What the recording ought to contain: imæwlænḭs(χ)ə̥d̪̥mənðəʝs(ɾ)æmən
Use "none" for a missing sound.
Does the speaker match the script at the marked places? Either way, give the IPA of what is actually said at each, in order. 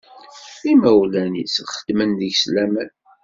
χ, l

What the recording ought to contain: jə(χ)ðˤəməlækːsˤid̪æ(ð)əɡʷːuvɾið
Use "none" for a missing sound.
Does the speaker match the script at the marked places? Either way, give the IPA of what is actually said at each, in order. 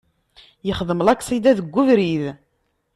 χ, ð

